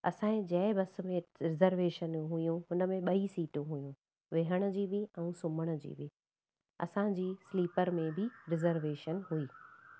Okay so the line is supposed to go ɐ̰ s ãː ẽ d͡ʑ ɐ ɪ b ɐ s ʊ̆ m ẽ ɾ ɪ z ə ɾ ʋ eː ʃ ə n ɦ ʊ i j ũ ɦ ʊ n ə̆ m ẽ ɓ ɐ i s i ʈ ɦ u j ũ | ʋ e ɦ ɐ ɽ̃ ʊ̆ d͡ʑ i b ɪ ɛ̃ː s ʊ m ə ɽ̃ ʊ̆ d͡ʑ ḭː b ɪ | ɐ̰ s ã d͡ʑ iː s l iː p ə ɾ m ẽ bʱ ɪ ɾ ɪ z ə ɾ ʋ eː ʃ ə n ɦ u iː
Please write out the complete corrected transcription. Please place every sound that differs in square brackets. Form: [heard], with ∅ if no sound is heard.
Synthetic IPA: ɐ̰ s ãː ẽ d͡ʑ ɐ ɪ b ɐ s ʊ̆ m ẽ ɾ ɪ z ə ɾ ʋ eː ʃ ə n ɦ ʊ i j ũ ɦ ʊ n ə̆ m ẽ ɓ ɐ i s [iː] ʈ ɦ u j ũ | ʋ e ɦ [ə] ɽ̃ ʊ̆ d͡ʑ [iː] b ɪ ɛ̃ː s ʊ m ə ɽ̃ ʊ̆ d͡ʑ ḭː b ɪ | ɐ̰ s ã d͡ʑ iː s l iː p ə ɾ m ẽ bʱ ɪ ɾ ɪ z ə ɾ ʋ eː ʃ ə n ɦ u iː

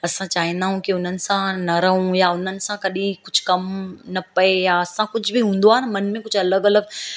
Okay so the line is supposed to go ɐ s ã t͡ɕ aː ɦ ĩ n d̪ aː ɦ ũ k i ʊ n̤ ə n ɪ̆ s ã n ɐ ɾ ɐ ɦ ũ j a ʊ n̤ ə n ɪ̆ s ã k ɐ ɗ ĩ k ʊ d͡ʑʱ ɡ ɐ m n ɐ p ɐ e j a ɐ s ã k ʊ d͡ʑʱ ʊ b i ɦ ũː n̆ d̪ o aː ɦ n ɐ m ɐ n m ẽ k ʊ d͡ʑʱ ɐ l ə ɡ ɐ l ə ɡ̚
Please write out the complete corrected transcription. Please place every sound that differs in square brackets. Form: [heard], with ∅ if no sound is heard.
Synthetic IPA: ɐ s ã t͡ɕ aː ɦ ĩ n d̪ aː ɦ ũ k i ʊ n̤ ə n ɪ̆ s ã n ɐ ɾ ɐ ɦ ũ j a ʊ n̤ ə n ɪ̆ s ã k ɐ ɗ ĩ k ʊ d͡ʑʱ [k] ɐ m n ɐ p ɐ e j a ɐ s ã k ʊ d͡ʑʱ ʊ b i ɦ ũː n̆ d̪ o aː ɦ n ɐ m ɐ n m ẽ k ʊ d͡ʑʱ ɐ l ə ɡ ɐ l ə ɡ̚

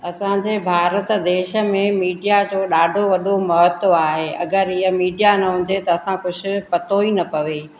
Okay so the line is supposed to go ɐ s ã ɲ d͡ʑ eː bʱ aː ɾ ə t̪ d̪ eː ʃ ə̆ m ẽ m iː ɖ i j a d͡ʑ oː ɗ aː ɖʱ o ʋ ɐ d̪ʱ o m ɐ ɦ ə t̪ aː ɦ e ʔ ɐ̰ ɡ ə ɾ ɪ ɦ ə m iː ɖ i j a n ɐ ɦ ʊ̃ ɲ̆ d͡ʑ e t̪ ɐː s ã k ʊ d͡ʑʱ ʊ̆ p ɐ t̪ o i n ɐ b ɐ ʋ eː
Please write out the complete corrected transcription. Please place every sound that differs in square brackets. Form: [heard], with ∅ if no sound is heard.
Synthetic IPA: ɐ s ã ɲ d͡ʑ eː bʱ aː ɾ ə t̪ d̪ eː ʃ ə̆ m ẽ m iː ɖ i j a d͡ʑ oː ɗ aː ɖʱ o ʋ ɐ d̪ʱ o m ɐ ɦ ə t̪ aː ɦ e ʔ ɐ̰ ɡ ə ɾ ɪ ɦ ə m iː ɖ i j a n ɐ ɦ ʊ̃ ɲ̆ d͡ʑ e t̪ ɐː s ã k ʊ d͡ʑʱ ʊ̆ p ɐ t̪ o i n ɐ [p] ɐ ʋ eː

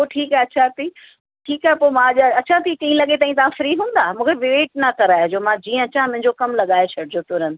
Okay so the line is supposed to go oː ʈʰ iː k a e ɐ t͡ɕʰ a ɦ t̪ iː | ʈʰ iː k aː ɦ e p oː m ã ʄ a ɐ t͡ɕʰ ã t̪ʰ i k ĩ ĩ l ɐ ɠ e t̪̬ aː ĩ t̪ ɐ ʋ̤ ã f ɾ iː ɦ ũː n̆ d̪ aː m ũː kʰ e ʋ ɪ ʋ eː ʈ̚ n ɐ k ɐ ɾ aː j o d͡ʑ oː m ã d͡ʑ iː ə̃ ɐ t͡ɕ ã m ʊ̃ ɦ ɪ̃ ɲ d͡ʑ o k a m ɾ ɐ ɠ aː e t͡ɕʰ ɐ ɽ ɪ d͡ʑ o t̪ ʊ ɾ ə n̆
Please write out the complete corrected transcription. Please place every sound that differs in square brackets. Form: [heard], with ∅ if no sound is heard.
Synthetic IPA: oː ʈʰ iː k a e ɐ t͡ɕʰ a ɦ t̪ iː | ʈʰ iː k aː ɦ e p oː m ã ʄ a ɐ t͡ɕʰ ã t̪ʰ i k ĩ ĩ l ɐ ɠ e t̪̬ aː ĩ t̪ ɐ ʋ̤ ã f ɾ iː ɦ ũː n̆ d̪ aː m ũː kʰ e ʋ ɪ ʋ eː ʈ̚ n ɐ k ɐ ɾ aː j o d͡ʑ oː m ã d͡ʑ iː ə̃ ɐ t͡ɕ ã m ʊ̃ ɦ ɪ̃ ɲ d͡ʑ o k [ɐ] m [l] ɐ ɠ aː e t͡ɕʰ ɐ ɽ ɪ d͡ʑ o t̪ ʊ ɾ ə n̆

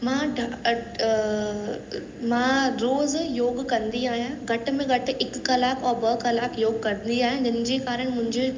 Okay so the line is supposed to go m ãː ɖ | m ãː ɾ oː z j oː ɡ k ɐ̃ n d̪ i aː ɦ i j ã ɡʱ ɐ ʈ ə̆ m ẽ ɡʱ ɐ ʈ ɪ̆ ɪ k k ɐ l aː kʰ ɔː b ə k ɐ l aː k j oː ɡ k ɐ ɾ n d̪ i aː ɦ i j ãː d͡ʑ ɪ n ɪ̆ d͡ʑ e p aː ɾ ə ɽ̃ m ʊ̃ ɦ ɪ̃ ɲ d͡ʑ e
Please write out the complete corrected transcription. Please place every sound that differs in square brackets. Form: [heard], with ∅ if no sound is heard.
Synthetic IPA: m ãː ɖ | m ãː ɾ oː z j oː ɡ k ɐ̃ n d̪ i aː ɦ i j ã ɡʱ ɐ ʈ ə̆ m ẽ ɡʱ ɐ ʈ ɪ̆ ɪ k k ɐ l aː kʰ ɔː b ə k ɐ l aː k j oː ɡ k ɐ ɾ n d̪ i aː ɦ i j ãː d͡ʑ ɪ n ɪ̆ d͡ʑ e [k] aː ɾ ə ɽ̃ m ʊ̃ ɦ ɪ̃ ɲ d͡ʑ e

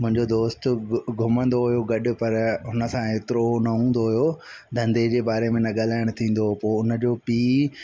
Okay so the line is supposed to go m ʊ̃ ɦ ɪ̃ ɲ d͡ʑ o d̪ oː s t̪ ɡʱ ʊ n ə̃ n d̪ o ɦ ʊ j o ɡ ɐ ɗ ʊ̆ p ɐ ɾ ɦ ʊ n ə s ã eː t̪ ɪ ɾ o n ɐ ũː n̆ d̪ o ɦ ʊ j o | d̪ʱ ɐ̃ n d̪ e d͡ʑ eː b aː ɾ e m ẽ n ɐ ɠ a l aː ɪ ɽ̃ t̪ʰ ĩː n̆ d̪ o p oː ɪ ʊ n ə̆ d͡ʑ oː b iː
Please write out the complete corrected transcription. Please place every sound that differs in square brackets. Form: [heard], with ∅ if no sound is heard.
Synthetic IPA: m ʊ̃ ɦ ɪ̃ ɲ d͡ʑ o d̪ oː s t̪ ɡʱ ʊ [m] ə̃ n d̪ o ɦ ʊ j o ɡ ɐ ɗ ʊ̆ p ɐ ɾ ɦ ʊ n ə s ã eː t̪ ɪ ɾ o n ɐ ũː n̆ d̪ o ɦ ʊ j o | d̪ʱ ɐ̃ n d̪ e d͡ʑ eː b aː ɾ e m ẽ n ɐ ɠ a l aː ɪ ɽ̃ t̪ʰ ĩː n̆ d̪ o p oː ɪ ʊ n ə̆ d͡ʑ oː [p] iː

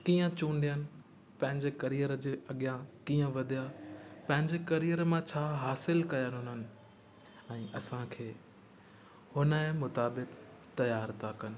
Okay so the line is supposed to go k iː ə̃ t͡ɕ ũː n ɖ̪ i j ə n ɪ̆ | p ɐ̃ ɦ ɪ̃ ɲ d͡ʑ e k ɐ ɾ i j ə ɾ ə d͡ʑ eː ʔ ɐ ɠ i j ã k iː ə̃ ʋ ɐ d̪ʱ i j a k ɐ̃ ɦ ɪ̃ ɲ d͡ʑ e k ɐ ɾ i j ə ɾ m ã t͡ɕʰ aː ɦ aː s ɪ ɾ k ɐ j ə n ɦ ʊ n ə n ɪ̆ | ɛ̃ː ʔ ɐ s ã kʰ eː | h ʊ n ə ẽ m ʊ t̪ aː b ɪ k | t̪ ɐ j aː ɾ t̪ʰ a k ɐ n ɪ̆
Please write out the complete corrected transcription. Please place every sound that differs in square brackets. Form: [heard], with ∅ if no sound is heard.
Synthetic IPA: k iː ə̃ t͡ɕ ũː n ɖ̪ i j ə n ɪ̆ | p ɐ̃ ɦ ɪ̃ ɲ d͡ʑ e k ɐ ɾ i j ə ɾ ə d͡ʑ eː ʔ ɐ ɠ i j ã k iː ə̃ ʋ ɐ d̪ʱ i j a [p] ɐ̃ ɦ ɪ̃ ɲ d͡ʑ e k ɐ ɾ i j ə ɾ m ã t͡ɕʰ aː ɦ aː s ɪ [l] k ɐ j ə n ɦ ʊ n ə n ɪ̆ | ɛ̃ː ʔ ɐ s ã kʰ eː | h ʊ n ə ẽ m ʊ t̪ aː b ɪ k | t̪ ɐ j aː ɾ t̪ʰ a k ɐ n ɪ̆

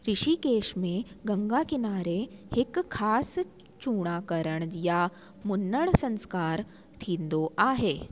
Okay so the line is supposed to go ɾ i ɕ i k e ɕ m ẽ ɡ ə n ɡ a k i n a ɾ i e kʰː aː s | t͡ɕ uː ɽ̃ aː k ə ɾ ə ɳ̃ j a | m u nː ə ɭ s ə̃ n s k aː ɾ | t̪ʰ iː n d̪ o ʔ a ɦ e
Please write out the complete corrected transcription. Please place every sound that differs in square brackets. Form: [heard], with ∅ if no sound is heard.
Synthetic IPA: ɾ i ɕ i k e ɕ m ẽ ɡ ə [ŋ] ɡ a k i n a ɾ [e] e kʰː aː s | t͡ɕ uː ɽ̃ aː k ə ɾ ə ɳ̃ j a | m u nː ə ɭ s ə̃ n s k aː ɾ | t̪ʰ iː n d̪ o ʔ a ɦ e

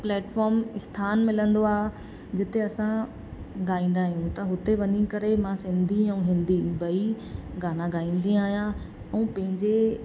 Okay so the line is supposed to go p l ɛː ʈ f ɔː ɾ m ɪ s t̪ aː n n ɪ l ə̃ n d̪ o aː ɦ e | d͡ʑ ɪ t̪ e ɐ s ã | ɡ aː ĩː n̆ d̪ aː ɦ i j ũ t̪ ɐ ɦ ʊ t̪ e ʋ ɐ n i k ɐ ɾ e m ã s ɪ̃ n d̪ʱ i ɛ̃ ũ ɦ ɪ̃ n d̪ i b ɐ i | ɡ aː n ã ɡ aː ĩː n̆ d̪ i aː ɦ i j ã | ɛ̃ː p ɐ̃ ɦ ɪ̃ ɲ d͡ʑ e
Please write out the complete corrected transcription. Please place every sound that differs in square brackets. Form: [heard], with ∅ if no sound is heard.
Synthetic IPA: p l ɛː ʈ f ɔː ɾ m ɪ s [t̪ʰ] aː n [m] ɪ l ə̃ n d̪ o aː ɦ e | d͡ʑ ɪ t̪ e ɐ s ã | ɡ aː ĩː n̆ d̪ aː ɦ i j ũ t̪ ɐ ɦ ʊ t̪ e ʋ ɐ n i k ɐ ɾ e m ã s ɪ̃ n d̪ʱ i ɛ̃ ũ ɦ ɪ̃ n d̪ i b ɐ i | ɡ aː n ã ɡ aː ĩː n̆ d̪ i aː ɦ i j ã | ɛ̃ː p ɐ̃ ɦ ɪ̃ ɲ d͡ʑ e

